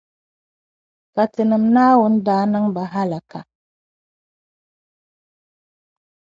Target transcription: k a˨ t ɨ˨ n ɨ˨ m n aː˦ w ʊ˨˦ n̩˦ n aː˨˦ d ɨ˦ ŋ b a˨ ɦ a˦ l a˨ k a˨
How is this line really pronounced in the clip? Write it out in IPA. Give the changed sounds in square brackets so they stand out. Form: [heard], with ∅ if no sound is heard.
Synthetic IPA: k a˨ t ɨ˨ n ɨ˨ m n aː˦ w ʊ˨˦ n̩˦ [d] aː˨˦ [n] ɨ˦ ŋ b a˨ ɦ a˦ l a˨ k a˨